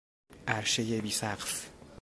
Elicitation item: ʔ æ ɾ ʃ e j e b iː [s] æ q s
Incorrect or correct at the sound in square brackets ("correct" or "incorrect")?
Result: correct